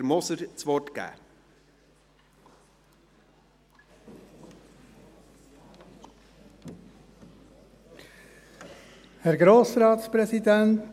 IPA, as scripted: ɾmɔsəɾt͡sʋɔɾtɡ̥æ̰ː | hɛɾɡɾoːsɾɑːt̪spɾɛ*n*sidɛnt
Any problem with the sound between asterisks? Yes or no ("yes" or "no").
yes